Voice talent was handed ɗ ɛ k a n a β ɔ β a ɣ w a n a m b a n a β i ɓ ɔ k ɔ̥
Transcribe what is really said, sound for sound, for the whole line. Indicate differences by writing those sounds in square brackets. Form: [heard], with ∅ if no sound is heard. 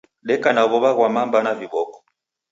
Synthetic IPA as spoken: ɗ ɛ k a n a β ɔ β a ɣ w a [m] a m b a n a [v] i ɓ ɔ k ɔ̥